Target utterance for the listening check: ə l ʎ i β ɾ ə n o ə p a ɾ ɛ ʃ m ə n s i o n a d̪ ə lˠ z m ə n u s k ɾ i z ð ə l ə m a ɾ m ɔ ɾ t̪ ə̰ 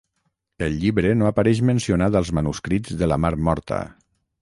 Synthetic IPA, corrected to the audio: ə l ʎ i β ɾ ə n o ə p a ɾ ɛ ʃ m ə n s i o n a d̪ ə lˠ z m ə n u s k ɾ i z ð ə l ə m a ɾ m ɔ ɾ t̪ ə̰